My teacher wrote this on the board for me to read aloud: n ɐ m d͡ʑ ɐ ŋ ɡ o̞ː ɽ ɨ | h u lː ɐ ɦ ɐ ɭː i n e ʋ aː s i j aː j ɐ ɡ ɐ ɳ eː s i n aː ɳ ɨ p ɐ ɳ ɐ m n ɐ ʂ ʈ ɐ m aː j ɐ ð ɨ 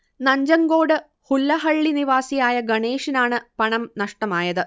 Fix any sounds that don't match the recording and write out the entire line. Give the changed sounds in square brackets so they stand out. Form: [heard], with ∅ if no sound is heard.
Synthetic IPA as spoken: n ɐ [ɲ] d͡ʑ ɐ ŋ ɡ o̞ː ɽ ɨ | h u lː ɐ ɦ ɐ ɭː i n [i] ʋ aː s i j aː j ɐ ɡ ɐ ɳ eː [ʂ] i n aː ɳ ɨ p ɐ ɳ ɐ m n ɐ ʂ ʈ ɐ m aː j ɐ ð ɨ